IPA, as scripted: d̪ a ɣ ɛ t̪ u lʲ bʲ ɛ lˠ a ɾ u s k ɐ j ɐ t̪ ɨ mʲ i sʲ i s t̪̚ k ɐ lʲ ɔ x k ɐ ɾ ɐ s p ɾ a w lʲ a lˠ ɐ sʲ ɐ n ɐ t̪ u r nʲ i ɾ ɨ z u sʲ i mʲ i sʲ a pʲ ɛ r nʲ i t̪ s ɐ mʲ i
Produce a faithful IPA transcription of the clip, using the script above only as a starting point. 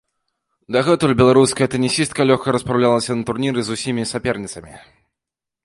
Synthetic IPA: d̪ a ɣ ɛ t̪ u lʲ bʲ ɛ lˠ a ɾ u s k ɐ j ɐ t̪ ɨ nʲ i sʲ i s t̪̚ k ɐ lʲ ɔ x k ɐ ɾ ɐ s p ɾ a w lʲ a lˠ ɐ sʲ ɐ n ɐ t̪ u r nʲ i ɾ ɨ z u sʲ i mʲ i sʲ a pʲ ɛ r nʲ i t̪ s ɐ mʲ i